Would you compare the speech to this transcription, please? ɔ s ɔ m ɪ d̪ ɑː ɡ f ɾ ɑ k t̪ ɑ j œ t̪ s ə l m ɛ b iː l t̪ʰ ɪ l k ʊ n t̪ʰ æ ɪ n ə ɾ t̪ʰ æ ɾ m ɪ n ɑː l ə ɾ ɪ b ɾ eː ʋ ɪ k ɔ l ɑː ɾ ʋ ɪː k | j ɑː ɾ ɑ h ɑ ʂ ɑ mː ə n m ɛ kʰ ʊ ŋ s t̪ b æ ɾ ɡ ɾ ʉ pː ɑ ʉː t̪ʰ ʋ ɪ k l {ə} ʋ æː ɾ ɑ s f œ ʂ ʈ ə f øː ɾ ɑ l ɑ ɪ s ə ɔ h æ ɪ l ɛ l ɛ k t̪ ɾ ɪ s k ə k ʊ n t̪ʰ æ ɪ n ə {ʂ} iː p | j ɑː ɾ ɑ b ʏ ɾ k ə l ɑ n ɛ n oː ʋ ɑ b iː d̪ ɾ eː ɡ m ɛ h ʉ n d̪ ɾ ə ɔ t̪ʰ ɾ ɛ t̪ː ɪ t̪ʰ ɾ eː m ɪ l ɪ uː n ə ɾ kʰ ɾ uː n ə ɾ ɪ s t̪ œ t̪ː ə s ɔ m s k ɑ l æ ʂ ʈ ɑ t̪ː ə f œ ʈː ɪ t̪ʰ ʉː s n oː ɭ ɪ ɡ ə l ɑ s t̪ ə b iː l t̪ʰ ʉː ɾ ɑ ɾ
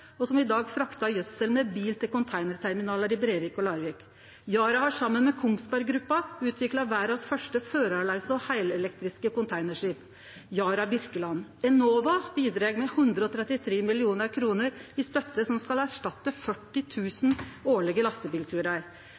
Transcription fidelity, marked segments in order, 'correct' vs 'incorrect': incorrect: ɑ, correct

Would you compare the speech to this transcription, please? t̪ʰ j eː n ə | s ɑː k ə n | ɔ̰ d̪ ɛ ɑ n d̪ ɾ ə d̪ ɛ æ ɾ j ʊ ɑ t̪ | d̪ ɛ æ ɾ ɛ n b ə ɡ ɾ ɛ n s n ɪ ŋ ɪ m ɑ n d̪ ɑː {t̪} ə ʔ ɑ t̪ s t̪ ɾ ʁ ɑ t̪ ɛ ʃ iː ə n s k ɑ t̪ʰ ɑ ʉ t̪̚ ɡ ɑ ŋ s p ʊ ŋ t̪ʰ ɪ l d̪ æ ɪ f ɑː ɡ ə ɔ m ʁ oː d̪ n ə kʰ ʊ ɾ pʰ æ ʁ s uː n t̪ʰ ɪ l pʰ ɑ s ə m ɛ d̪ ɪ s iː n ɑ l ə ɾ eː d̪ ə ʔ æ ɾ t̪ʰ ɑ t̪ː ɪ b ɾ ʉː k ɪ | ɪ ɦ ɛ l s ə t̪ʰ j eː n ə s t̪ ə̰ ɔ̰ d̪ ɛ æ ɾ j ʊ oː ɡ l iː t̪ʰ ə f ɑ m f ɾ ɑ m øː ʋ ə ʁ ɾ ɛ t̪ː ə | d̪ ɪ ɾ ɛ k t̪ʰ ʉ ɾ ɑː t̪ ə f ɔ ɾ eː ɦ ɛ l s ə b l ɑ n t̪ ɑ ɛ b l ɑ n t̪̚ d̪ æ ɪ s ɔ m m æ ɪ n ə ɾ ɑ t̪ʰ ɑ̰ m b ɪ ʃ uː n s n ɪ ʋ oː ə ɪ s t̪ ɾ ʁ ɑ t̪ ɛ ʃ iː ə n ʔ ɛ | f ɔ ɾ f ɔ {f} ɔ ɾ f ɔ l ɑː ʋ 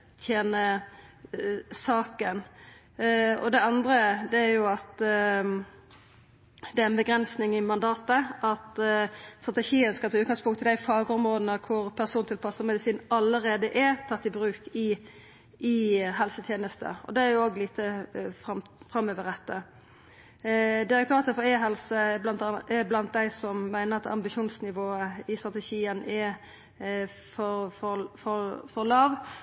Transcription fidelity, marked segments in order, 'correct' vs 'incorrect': correct, correct

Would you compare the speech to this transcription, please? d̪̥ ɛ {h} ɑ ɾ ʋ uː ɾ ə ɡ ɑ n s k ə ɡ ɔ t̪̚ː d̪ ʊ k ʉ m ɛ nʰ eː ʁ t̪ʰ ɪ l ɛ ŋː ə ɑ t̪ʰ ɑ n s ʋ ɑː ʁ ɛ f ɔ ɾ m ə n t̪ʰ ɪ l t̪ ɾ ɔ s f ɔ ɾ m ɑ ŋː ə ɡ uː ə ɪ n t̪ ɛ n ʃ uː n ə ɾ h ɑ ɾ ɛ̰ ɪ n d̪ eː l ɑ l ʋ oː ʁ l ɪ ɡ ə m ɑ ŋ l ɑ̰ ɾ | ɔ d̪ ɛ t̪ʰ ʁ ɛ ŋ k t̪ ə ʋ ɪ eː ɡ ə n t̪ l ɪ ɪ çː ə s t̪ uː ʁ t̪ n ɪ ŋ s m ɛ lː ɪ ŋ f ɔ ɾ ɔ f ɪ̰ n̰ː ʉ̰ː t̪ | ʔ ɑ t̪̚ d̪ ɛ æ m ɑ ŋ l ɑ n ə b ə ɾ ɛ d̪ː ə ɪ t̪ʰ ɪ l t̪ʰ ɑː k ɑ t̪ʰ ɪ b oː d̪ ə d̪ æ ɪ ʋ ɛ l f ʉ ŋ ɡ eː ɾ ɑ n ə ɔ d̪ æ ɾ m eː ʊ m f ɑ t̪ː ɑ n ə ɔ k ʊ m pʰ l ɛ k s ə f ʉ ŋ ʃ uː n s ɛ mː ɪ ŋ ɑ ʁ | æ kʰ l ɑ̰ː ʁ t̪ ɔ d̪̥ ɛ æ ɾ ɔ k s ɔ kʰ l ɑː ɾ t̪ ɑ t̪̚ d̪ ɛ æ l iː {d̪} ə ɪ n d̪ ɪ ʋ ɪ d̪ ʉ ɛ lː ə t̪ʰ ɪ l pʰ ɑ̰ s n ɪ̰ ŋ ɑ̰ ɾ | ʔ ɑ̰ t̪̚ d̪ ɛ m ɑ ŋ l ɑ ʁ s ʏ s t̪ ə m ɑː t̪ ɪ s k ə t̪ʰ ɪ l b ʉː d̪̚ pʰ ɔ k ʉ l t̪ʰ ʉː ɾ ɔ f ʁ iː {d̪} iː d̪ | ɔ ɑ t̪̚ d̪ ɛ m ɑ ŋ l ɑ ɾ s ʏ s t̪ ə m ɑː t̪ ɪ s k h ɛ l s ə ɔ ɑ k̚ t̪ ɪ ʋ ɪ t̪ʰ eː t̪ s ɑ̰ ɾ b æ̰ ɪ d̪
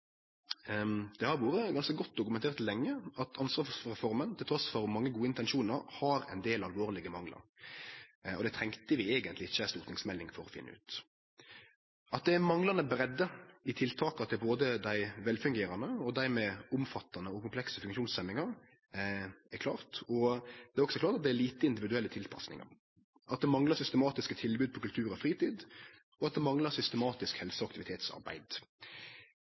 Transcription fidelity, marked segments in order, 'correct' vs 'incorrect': correct, incorrect: t̪, incorrect: t̪

